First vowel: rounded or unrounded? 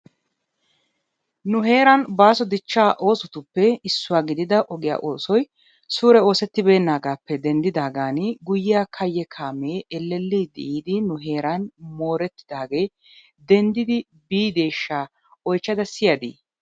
rounded